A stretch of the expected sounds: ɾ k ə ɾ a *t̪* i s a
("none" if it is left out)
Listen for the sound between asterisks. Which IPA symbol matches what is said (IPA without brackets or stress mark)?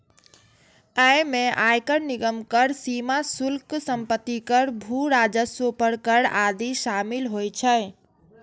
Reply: d̪